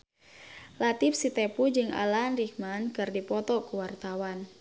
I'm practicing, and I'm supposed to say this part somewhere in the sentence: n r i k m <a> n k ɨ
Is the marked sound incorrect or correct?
correct